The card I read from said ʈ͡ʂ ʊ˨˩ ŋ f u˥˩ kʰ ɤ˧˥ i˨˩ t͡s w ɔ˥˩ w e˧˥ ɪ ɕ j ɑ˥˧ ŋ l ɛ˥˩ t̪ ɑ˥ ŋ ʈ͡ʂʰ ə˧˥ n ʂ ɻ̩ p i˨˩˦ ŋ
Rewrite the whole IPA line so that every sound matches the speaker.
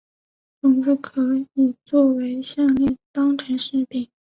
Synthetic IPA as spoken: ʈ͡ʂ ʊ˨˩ ŋ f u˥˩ kʰ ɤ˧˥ i˨˩ t͡s w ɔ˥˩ w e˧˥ ɪ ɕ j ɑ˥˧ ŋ l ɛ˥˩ t̪ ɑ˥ ŋ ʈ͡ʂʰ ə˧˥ n ʂ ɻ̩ p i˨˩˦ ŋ